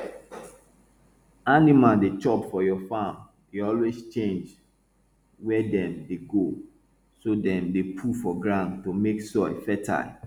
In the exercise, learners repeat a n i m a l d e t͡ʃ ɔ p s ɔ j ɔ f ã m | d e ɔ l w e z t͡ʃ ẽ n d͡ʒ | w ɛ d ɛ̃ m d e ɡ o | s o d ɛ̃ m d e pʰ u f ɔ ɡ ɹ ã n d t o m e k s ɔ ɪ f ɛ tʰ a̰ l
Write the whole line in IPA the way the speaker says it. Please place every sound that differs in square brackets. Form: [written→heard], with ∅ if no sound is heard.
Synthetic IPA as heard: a n i m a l d e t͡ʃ ɔ p [s→f] ɔ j ɔ f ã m | d e ɔ l w e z t͡ʃ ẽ n d͡ʒ | w ɛ d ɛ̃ m d e ɡ o | s o d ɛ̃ m d e pʰ u f ɔ ɡ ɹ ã n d t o m e k s ɔ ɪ f ɛ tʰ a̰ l